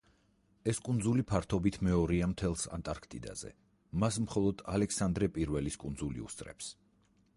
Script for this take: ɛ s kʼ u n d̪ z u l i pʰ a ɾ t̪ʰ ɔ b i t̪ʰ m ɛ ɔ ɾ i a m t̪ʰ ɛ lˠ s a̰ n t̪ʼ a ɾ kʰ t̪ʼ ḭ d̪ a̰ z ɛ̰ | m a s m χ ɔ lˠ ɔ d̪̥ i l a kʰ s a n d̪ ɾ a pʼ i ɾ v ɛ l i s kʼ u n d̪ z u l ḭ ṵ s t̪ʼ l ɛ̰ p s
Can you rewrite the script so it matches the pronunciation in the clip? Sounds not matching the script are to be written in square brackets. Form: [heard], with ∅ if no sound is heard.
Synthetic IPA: ɛ s kʼ u n d̪ z u l i pʰ a ɾ t̪ʰ ɔ b i t̪ʰ m ɛ ɔ ɾ i a m t̪ʰ ɛ lˠ s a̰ n t̪ʼ a ɾ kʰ t̪ʼ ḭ d̪ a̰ z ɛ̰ | m a s m χ ɔ lˠ ɔ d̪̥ [a] l [ɛ] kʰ s a n d̪ ɾ [ɛ] pʼ i ɾ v ɛ l i s kʼ u n d̪ z u l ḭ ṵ s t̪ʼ [ɾ] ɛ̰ p s